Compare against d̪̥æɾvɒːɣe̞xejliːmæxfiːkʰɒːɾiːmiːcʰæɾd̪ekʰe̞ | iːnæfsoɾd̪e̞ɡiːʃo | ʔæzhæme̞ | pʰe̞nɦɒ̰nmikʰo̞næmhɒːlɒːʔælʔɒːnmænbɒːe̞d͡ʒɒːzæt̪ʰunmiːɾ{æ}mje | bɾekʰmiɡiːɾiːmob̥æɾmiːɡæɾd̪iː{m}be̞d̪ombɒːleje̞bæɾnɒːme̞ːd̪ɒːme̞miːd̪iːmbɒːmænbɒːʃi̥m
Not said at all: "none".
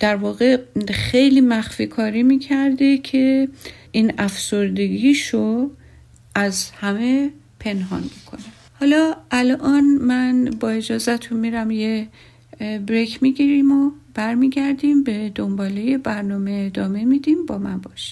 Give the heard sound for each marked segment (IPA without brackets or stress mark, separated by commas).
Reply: æ, m